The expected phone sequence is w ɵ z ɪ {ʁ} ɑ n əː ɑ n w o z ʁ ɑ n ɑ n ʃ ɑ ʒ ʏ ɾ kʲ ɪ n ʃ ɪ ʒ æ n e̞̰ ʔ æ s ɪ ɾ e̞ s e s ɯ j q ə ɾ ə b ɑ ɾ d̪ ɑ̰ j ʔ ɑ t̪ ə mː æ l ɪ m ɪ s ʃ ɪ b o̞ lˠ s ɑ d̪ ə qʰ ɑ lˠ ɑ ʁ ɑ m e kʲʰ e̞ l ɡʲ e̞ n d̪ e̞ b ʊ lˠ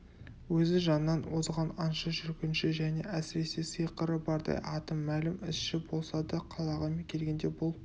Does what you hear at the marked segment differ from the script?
yes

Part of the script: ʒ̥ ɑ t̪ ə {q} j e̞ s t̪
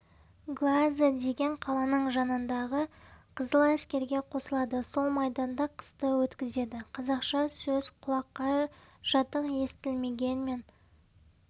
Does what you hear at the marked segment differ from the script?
no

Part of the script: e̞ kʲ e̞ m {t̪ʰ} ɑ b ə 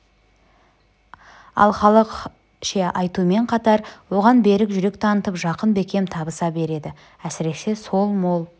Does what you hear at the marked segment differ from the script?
no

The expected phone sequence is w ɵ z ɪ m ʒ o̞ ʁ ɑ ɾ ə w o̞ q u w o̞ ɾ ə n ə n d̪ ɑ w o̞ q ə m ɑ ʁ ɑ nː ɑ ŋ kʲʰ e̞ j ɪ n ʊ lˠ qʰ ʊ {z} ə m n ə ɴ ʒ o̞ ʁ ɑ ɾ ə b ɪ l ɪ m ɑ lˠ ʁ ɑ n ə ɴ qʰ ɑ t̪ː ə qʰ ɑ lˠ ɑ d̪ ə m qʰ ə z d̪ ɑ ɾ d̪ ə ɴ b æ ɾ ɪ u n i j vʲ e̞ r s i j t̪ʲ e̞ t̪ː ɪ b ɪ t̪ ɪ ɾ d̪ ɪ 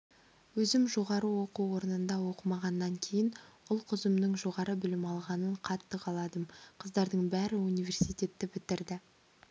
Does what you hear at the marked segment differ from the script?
no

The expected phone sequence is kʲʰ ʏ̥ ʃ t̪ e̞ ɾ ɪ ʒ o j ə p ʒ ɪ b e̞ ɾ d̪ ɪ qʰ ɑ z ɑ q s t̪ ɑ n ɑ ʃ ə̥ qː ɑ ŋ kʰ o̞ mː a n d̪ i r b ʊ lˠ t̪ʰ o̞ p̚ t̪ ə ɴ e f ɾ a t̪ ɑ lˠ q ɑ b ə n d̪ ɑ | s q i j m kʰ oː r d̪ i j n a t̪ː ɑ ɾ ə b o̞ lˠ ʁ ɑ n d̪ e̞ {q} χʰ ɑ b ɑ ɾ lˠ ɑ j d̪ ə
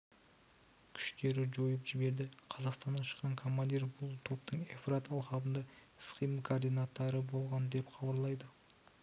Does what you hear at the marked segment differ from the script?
yes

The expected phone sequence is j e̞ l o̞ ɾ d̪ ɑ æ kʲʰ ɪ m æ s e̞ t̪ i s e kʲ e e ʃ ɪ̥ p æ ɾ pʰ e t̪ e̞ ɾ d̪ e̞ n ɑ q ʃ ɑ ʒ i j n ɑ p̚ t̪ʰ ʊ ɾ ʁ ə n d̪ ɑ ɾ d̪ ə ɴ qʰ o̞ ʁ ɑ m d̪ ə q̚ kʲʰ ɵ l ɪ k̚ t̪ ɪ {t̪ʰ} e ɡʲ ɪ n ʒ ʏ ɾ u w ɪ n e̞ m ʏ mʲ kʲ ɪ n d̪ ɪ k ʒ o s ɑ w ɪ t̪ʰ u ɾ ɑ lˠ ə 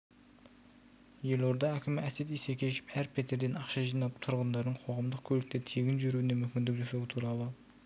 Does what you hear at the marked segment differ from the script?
no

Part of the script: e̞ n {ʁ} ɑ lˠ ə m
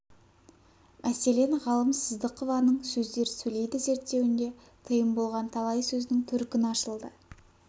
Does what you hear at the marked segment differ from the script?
no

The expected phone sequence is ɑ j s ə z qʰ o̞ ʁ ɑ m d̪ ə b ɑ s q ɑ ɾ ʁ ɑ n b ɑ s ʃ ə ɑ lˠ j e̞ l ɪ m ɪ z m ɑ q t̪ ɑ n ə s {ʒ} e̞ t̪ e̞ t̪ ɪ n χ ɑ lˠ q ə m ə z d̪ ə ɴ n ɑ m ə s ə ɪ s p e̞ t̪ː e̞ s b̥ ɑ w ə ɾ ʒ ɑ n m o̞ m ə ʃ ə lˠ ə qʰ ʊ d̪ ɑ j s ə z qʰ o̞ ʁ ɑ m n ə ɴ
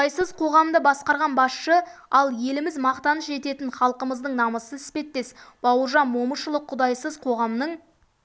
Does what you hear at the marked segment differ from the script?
no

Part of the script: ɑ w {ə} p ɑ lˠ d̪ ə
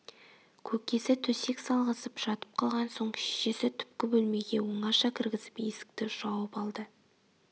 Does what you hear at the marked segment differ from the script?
no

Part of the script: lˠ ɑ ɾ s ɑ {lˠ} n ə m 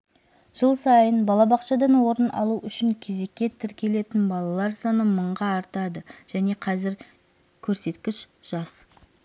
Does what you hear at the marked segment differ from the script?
yes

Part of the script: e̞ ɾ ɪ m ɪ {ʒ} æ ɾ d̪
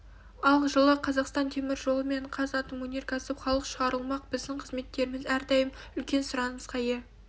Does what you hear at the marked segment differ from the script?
yes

